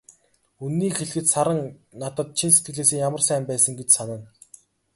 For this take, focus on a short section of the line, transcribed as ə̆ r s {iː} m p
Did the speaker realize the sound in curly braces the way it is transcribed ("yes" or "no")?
no